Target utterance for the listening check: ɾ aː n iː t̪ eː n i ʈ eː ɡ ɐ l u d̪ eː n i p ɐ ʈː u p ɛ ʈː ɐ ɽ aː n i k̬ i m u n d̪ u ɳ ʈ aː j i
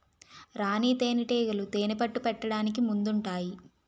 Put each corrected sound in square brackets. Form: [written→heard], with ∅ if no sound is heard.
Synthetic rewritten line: ɾ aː n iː t̪ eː n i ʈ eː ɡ ɐ l u [d̪→t̪] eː n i p ɐ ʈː u p ɛ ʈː ɐ ɽ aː n i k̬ i m u n d̪ u ɳ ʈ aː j i